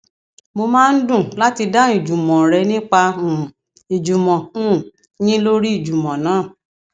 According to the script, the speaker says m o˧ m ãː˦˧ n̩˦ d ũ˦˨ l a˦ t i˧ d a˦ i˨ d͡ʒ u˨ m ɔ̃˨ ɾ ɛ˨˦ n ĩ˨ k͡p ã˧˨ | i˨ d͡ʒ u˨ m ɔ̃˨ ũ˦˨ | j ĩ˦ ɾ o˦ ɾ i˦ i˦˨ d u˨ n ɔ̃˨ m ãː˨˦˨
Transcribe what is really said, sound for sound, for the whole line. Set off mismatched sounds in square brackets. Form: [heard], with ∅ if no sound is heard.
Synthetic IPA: m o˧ m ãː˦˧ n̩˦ d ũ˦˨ l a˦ t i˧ d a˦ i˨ d͡ʒ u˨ m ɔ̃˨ ɾ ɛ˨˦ n [ĩ˦] k͡p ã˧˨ | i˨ d͡ʒ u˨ m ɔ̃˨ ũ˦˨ | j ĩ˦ [l] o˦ ɾ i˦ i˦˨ [d͡ʒ] u˨ [m] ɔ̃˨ [n] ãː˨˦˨